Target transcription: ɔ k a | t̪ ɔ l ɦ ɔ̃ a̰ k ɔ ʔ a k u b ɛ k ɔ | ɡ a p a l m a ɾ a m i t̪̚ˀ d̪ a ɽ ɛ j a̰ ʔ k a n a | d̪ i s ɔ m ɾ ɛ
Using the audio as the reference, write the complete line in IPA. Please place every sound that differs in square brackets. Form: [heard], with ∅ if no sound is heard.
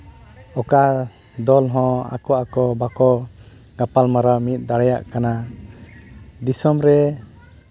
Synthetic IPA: ɔ k a | [d̪] ɔ l ɦ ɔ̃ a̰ k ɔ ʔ a k [ɔ] b [a] k ɔ | ɡ a p a l m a ɾ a m i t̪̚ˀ d̪ a ɽ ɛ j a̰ ʔ k a n a | d̪ i s ɔ m ɾ ɛ

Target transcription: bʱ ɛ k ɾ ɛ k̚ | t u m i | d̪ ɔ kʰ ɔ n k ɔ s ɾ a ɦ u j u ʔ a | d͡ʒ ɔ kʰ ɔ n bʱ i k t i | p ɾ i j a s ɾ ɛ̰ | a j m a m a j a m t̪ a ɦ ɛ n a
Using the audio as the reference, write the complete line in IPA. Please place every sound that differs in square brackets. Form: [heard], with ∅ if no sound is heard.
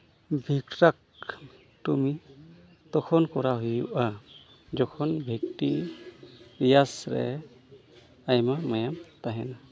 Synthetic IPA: bʱ [i] k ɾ [a] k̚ | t u m i | [t̪] ɔ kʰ ɔ n k ɔ [∅] ɾ a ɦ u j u ʔ a | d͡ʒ ɔ kʰ ɔ n bʱ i k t i | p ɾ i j a s ɾ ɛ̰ | a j m a m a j a m t̪ a ɦ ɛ n a

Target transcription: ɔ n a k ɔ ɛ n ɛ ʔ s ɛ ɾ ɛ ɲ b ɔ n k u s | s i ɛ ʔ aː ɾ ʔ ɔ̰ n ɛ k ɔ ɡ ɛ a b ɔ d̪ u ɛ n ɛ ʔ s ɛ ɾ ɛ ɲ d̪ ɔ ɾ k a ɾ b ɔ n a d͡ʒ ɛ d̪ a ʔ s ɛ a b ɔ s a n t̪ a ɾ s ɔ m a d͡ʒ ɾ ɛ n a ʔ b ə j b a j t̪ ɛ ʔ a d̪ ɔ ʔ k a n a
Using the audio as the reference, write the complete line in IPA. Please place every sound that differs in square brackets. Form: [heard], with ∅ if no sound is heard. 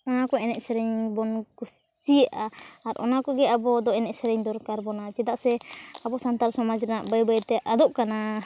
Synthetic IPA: ɔ n a k ɔ ɛ n ɛ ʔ s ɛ ɾ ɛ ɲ b ɔ n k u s | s i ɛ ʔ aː ɾ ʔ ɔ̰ n [a] k ɔ ɡ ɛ a b ɔ d̪ [ɔ] ɛ n ɛ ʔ s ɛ ɾ ɛ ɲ d̪ ɔ ɾ k a ɾ b ɔ n a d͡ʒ ɛ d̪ a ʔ s ɛ a b ɔ s a n t̪ a ɾ s ɔ m a d͡ʒ ɾ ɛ n a ʔ b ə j b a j t̪ ɛ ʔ a d̪ ɔ ʔ k a n a

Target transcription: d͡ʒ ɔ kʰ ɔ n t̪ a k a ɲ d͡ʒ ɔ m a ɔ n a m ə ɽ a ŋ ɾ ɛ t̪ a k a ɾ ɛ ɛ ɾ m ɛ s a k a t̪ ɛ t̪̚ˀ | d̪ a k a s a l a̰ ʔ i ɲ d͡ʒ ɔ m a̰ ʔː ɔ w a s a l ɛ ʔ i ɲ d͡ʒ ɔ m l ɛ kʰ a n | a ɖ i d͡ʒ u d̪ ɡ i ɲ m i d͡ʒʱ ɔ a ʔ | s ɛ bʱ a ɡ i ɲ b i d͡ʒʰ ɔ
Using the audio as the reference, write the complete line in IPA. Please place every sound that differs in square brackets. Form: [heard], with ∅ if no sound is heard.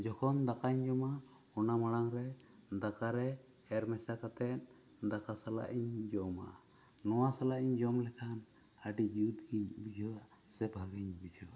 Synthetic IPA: d͡ʒ ɔ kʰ ɔ n [d̪] a k a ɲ d͡ʒ ɔ m a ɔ n a m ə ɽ a ŋ ɾ ɛ [d̪] a k a ɾ ɛ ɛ ɾ m ɛ s a k a t̪ ɛ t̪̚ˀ | d̪ a k a s a l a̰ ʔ i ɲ d͡ʒ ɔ m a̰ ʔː ɔ w a s a l [a] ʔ i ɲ d͡ʒ ɔ m l ɛ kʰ a n | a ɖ i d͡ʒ u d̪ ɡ i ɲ [b] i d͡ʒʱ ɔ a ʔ | s ɛ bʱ a ɡ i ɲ b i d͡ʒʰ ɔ

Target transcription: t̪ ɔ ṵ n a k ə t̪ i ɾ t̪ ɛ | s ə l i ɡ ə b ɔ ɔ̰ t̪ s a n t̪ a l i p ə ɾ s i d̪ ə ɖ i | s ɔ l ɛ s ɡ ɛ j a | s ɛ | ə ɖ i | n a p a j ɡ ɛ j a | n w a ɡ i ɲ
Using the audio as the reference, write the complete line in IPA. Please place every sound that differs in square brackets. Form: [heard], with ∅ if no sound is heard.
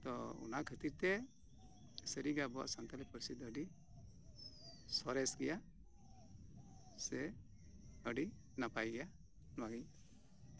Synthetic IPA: t̪ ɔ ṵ n a [kʰ] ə t̪ i ɾ t̪ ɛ | s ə [ɾ] i ɡ [a] b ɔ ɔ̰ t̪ s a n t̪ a l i p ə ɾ s i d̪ ə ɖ i | s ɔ [ɾ] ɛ s ɡ ɛ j a | s ɛ | ə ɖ i | n a p a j ɡ ɛ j a | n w a ɡ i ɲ

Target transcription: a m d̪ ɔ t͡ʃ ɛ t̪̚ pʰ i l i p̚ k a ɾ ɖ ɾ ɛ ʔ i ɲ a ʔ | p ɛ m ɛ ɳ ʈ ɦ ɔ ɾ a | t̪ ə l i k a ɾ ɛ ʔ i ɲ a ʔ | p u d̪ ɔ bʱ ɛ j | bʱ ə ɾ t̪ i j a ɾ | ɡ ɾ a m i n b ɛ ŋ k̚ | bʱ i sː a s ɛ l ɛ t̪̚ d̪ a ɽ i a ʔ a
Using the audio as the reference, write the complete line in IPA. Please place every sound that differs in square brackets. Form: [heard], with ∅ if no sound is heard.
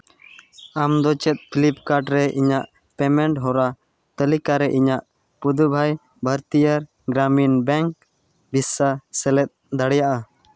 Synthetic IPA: a m d̪ ɔ t͡ʃ ɛ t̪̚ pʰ i l i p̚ k a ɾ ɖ ɾ ɛ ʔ i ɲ a ʔ | p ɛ m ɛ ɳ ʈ ɦ ɔ ɾ a | t̪ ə l i k a ɾ ɛ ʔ i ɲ a ʔ | p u d̪ [u] bʱ [a] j | bʱ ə ɾ t̪ i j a ɾ | ɡ ɾ a m i n b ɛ ŋ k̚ | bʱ i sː a s ɛ l ɛ t̪̚ d̪ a ɽ [j] a ʔ a

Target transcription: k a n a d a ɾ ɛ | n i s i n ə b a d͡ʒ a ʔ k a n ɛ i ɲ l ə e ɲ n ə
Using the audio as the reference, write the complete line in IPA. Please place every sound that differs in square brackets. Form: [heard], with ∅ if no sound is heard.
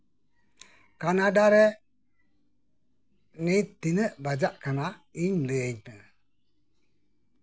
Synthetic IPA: k a n a d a ɾ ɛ | n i [t] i n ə b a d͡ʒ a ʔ k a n [a] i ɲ l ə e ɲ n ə

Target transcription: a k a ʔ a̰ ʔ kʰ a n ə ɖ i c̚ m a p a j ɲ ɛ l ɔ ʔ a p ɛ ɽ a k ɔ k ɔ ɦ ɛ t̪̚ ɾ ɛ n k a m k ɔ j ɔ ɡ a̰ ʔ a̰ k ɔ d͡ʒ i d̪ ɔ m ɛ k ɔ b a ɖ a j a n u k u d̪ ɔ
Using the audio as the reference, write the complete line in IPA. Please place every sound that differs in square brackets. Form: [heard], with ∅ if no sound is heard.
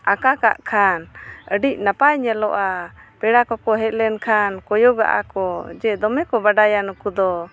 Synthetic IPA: a k a [k] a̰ ʔ kʰ a n ə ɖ i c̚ [n] a p a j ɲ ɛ l ɔ ʔ a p ɛ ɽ a k ɔ k ɔ ɦ ɛ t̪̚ [l] ɛ n [kʰ] a [n] k ɔ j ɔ ɡ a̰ ʔ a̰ k ɔ d͡ʒ [ɛ] d̪ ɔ m ɛ k ɔ b a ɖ a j a n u k u d̪ ɔ

